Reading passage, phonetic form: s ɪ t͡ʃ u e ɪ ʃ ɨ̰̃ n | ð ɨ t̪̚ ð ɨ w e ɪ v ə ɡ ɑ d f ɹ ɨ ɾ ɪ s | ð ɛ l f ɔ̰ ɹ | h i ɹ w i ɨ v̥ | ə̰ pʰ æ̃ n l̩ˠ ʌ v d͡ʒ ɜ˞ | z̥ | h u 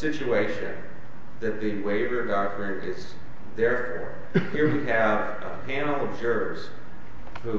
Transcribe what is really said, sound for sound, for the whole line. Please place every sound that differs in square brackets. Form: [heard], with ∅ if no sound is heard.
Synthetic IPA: s ɪ t͡ʃ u e ɪ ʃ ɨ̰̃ n | ð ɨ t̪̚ ð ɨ w e ɪ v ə ɡ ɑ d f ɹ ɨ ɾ ɪ [z] | ð ɛ [ɹ] f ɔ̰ ɹ | h i ɹ w i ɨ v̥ | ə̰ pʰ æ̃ n l̩ˠ ʌ v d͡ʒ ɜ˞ | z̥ | h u